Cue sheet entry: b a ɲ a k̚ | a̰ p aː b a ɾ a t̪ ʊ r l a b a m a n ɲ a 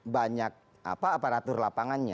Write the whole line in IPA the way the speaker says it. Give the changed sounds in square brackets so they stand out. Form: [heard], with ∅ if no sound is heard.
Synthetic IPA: b a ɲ a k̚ | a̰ p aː [p] a ɾ a t̪ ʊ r l a [p] a [ŋ] a n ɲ a